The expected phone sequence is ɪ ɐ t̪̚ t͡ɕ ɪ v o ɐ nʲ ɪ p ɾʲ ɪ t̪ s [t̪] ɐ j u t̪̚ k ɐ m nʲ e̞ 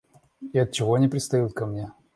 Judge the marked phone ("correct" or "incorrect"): correct